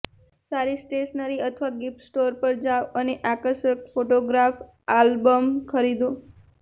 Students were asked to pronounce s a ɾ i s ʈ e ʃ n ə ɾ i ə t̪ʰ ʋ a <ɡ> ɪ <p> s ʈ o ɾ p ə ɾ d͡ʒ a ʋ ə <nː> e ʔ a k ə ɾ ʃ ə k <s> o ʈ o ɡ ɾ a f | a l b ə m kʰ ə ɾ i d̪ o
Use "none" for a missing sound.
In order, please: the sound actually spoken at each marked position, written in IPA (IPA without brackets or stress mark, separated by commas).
ɡ, p, n, f